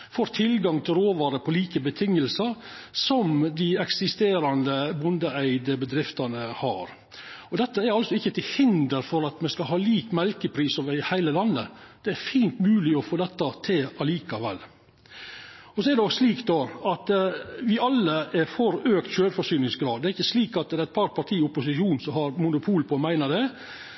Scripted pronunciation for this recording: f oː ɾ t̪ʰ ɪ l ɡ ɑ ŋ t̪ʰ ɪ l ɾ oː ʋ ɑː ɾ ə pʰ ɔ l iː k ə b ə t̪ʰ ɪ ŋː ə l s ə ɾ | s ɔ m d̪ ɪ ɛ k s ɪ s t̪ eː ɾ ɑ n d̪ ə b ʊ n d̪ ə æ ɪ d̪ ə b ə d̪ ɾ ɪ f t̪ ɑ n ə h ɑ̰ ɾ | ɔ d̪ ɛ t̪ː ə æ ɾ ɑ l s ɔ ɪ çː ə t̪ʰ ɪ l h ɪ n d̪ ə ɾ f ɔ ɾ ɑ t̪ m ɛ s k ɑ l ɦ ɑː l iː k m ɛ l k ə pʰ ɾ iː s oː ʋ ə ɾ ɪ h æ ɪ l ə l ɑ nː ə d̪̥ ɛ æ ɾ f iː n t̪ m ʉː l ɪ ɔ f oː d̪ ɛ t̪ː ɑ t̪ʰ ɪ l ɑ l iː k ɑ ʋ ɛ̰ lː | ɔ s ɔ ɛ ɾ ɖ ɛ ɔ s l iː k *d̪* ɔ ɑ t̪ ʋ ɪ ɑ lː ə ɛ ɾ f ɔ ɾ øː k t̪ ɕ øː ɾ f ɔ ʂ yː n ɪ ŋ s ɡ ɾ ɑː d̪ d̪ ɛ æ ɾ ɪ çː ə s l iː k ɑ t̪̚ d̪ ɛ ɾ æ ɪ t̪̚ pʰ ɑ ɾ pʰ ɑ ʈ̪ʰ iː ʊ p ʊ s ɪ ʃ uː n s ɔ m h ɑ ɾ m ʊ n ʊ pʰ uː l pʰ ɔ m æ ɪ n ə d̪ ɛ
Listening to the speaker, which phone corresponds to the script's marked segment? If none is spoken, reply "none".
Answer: d̪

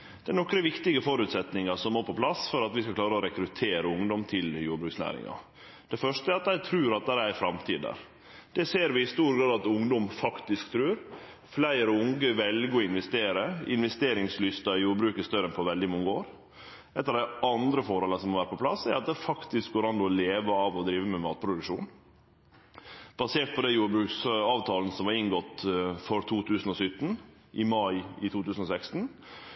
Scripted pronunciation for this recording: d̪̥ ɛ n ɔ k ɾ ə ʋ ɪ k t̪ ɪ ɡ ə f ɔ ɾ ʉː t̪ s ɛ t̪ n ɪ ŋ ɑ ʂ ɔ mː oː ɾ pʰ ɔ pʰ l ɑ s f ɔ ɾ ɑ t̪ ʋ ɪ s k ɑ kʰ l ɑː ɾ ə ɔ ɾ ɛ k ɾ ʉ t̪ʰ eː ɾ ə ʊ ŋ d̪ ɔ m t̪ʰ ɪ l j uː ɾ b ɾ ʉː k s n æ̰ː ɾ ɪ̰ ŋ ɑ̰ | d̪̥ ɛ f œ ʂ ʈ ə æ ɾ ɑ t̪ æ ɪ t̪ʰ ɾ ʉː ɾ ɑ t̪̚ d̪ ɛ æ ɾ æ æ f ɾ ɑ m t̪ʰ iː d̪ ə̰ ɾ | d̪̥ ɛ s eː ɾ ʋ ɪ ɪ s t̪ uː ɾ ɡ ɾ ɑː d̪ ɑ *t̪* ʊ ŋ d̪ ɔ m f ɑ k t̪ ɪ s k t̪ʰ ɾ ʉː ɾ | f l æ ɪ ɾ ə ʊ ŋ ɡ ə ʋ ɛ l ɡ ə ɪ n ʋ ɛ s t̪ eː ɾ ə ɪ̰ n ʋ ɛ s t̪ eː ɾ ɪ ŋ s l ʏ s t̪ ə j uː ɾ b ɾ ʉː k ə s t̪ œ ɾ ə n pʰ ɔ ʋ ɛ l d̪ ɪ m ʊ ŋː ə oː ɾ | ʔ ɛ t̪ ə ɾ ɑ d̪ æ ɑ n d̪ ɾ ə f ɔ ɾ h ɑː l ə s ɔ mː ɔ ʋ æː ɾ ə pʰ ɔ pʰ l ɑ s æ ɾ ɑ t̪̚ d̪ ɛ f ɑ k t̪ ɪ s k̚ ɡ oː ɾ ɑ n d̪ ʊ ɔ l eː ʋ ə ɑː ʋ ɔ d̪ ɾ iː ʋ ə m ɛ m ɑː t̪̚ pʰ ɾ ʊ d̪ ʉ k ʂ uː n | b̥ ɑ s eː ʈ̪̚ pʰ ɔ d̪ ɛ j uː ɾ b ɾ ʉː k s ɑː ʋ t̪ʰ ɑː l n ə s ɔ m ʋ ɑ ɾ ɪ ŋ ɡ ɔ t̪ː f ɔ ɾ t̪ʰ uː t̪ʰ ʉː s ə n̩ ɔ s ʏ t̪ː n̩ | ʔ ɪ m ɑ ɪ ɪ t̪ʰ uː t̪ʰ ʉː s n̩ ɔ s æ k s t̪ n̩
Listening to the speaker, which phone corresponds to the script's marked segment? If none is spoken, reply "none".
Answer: t̪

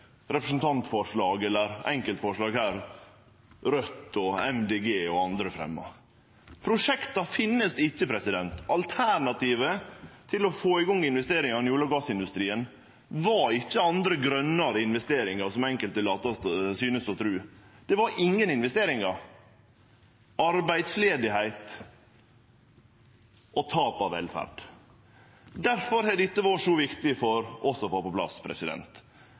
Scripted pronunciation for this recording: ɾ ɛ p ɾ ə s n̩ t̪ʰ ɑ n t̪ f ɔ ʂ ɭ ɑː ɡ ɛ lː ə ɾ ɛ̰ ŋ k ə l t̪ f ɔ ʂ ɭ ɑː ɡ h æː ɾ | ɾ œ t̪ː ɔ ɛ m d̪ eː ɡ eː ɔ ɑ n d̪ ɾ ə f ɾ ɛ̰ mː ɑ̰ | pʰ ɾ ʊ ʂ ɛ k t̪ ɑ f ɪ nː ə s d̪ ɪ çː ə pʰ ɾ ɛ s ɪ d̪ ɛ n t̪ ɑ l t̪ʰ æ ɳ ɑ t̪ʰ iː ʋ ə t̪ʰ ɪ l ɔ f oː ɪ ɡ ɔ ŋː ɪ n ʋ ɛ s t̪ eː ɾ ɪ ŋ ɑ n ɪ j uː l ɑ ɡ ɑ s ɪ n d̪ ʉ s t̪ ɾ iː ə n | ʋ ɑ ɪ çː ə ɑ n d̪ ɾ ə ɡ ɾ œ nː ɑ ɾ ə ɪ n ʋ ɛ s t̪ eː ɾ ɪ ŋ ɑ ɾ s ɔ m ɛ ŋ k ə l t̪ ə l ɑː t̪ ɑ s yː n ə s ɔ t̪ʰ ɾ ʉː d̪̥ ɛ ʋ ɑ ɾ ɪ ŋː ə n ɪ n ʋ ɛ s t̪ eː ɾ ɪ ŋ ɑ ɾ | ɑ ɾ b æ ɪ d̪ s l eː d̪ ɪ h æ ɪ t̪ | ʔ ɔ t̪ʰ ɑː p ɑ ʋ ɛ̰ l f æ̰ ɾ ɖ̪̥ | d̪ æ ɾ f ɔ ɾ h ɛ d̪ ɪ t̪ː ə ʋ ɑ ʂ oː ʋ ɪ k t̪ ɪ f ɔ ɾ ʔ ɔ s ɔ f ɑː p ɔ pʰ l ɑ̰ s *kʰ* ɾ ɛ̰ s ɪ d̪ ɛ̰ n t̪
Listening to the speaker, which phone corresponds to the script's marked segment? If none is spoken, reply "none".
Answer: pʰ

